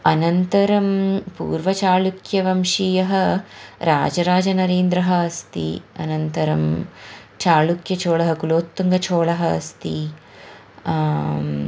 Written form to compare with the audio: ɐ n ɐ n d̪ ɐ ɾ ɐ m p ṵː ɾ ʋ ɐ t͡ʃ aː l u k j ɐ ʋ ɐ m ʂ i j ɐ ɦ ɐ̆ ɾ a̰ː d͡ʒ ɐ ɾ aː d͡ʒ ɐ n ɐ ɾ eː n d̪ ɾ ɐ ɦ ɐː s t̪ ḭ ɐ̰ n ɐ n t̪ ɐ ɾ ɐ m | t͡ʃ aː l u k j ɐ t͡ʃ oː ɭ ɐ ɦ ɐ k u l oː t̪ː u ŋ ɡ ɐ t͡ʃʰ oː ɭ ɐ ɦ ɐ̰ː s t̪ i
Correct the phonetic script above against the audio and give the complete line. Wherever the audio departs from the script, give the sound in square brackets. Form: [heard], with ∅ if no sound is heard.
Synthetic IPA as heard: ɐ n ɐ n [t̪] ɐ ɾ ɐ m p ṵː ɾ ʋ ɐ t͡ʃ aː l u k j ɐ ʋ ɐ m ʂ i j ɐ ɦ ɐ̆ ɾ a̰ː d͡ʒ ɐ ɾ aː d͡ʒ ɐ n ɐ ɾ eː n d̪ ɾ ɐ ɦ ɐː s t̪ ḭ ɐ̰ n ɐ n t̪ ɐ ɾ ɐ m | t͡ʃ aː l u k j ɐ t͡ʃ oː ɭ ɐ ɦ ɐ k u l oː t̪ː u ŋ ɡ ɐ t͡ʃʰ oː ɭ ɐ ɦ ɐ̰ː s t̪ i